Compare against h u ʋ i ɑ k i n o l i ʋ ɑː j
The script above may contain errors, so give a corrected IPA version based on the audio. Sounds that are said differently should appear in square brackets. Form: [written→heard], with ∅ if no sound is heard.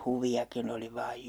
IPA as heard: h u ʋ i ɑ k i n o l i ʋ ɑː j